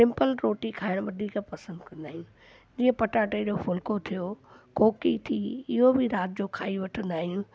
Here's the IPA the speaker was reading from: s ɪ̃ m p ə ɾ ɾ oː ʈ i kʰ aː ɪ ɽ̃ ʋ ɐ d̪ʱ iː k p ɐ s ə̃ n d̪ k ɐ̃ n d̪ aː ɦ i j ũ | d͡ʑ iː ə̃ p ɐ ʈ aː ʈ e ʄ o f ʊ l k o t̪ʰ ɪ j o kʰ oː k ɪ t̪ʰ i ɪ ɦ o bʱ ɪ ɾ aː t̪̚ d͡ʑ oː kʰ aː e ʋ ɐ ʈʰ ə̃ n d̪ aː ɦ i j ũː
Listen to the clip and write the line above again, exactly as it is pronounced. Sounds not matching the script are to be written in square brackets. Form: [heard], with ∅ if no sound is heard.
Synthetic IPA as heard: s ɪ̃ m p ə [l] ɾ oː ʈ i kʰ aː ɪ ɽ̃ ʋ ɐ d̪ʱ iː k p ɐ s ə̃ n d̪ k ɐ̃ n d̪ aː ɦ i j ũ | d͡ʑ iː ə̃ p ɐ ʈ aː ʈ e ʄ o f ʊ l k o t̪ʰ [i] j o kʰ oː k [i] t̪ʰ i ɪ ɦ o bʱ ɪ ɾ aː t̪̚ d͡ʑ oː kʰ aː [i] ʋ ɐ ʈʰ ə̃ n d̪ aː ɦ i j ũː